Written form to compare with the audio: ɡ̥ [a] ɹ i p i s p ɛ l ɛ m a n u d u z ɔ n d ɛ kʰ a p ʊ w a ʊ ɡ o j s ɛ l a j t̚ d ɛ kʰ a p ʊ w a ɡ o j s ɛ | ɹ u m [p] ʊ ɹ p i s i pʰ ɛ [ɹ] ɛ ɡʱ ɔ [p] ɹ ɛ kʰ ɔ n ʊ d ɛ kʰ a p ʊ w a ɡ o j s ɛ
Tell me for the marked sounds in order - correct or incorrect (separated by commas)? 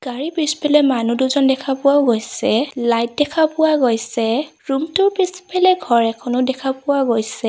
correct, incorrect, incorrect, incorrect